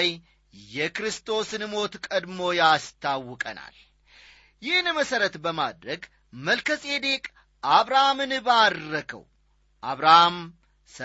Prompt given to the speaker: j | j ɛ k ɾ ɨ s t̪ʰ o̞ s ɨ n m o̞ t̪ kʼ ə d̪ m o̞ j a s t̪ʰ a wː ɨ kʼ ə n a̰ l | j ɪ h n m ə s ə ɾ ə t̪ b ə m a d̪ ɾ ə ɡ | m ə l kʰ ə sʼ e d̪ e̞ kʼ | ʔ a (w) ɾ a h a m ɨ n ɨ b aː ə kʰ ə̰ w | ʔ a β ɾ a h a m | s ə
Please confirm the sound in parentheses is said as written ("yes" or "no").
no